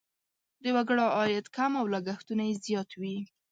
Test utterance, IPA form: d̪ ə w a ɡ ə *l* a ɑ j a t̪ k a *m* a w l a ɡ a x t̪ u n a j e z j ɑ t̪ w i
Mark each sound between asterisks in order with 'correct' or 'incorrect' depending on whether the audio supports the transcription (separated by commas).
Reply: incorrect, correct